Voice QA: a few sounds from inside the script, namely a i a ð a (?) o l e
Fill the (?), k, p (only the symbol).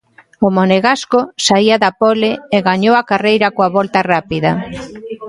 p